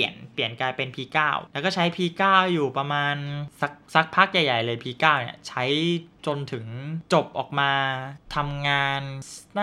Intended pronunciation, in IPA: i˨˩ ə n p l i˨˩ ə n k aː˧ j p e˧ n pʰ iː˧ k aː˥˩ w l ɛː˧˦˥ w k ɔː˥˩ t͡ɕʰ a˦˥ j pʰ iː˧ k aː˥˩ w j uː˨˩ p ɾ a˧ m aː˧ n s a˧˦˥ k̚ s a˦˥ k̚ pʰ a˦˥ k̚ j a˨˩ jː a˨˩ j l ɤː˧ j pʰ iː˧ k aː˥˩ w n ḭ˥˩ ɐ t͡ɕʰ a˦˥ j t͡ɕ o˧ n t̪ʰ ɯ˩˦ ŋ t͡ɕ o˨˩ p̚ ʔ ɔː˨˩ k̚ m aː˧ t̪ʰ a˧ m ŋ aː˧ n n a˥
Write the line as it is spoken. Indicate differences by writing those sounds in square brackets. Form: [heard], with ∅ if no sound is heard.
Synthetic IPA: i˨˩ ə n p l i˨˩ ə n k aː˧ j p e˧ n pʰ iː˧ k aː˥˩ w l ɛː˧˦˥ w k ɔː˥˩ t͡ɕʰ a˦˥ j pʰ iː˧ k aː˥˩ w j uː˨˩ p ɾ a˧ m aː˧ n s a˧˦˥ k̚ s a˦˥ k̚ pʰ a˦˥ k̚ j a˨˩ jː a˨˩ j l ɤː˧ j pʰ iː˧ k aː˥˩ w n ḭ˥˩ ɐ t͡ɕʰ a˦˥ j t͡ɕ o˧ n t̪ʰ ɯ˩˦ ŋ t͡ɕ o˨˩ p̚ ʔ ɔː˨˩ k̚ m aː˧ t̪ʰ a˧ m ŋ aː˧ n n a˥